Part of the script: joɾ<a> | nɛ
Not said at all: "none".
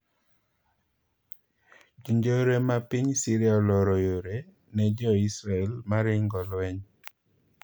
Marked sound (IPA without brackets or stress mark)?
e